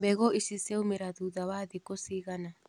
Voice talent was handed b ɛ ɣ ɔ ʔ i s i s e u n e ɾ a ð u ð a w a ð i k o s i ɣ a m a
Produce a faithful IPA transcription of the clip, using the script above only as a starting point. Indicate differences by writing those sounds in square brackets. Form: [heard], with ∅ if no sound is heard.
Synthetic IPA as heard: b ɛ ɣ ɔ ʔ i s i s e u [m] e ɾ a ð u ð a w a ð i k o s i ɣ a [n] a